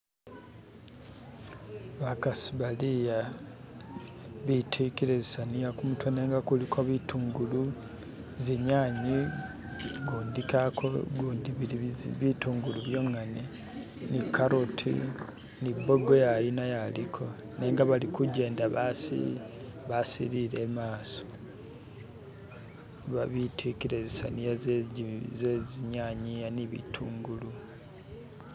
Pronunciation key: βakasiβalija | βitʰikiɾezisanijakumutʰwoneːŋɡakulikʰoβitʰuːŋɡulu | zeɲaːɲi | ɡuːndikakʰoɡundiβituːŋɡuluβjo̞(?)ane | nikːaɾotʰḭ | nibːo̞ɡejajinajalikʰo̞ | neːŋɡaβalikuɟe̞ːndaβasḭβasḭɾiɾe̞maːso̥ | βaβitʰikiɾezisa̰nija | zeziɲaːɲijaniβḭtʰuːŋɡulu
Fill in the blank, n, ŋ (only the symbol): ŋ